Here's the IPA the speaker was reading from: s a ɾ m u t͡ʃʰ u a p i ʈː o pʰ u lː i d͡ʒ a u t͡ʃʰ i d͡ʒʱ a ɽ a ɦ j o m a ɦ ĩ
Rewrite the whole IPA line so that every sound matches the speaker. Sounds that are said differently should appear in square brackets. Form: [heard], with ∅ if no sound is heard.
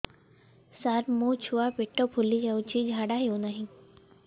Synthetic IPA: s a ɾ m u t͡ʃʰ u a p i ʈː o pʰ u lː i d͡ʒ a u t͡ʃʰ i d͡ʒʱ a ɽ a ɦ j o [n] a ɦ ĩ